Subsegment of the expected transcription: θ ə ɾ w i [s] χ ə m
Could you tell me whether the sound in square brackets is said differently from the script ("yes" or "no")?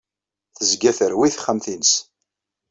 yes